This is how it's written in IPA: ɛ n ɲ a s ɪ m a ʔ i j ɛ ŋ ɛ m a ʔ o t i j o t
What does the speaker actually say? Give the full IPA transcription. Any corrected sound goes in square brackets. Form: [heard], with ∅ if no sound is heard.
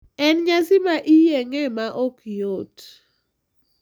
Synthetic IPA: ɛ n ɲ a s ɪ m a ʔ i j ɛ ŋ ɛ m a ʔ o [k] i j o t